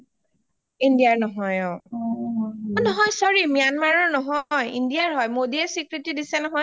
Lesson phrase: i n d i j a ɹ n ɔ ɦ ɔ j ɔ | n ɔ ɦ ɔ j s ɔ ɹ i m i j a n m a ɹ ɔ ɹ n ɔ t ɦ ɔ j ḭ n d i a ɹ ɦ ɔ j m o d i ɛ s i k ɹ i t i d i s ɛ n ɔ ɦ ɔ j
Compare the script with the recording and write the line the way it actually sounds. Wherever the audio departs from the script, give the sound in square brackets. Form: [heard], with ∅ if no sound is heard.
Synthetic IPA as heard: i n d i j a ɹ n ɔ ɦ ɔ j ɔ | n ɔ ɦ ɔ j s ɔ ɹ i m i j a n m a ɹ ɔ ɹ n ɔ [∅] ɦ ɔ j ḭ n d i a ɹ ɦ ɔ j m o d i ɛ s i k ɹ i t i d i s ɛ n ɔ ɦ ɔ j